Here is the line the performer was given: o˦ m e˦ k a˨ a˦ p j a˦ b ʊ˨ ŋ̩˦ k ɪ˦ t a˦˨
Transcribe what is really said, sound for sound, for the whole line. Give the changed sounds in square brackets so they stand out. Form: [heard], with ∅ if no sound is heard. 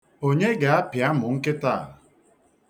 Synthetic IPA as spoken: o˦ [ɲ] e˦ [ɡ] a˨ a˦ p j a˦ [m] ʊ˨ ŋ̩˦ k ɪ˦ t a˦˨